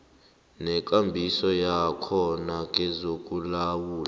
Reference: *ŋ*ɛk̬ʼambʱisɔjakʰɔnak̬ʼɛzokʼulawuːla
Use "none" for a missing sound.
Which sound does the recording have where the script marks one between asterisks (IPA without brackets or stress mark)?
n